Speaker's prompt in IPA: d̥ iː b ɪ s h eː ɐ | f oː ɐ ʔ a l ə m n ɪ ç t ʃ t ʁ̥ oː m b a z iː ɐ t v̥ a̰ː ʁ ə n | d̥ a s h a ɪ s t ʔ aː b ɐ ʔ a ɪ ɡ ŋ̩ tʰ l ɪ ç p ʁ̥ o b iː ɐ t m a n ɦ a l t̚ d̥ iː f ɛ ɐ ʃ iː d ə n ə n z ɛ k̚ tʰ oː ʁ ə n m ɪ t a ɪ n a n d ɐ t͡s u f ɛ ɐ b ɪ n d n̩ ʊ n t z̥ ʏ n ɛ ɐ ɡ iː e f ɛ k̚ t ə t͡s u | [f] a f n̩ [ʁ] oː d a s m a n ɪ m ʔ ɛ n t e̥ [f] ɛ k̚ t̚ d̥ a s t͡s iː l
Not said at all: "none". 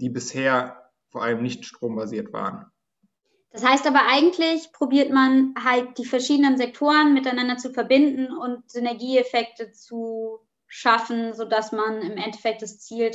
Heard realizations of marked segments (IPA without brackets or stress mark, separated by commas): ʃ, z, f